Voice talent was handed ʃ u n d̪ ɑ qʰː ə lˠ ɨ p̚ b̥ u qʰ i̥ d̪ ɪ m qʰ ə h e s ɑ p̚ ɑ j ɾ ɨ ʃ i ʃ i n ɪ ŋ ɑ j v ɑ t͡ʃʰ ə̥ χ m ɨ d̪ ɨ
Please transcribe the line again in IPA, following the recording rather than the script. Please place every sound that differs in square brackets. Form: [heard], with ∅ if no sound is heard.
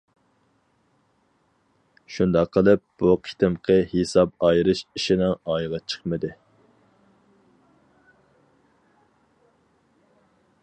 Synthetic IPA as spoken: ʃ u n d̪ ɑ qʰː ə lˠ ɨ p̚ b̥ u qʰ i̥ [t̪] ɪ m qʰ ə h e s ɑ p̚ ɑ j ɾ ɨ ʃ i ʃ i n ɪ ŋ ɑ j [ʁ] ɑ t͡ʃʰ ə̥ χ m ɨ d̪ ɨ